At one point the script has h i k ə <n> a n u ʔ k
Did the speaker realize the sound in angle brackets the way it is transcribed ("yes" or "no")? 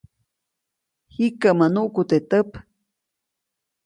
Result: no